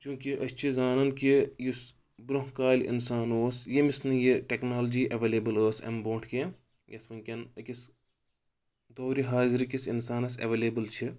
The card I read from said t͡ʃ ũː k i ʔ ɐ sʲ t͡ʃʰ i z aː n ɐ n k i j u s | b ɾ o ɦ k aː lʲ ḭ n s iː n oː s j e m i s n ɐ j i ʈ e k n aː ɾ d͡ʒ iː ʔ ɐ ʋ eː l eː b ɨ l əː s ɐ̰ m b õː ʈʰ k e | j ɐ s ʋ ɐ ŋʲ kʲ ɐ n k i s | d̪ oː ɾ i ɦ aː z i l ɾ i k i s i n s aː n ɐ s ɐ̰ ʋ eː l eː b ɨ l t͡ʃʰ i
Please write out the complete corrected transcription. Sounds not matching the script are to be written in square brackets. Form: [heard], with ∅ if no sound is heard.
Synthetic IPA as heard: t͡ʃ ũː k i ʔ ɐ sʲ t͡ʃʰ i z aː n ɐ n k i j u s | b ɾ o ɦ k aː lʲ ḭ n s [aː] n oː s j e m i s n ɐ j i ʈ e k n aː [l] d͡ʒ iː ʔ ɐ ʋ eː l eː b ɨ l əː s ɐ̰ m b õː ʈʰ k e | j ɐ s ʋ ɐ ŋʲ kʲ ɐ n k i s | d̪ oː ɾ i ɦ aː z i [∅] ɾ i k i s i n s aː n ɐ s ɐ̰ ʋ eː l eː b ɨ l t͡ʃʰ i